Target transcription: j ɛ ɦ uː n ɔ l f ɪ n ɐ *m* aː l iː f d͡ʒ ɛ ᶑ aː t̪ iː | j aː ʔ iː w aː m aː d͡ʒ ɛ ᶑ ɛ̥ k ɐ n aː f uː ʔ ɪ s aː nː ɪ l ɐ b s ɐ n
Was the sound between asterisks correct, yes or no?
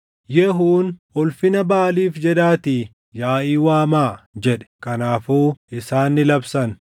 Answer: no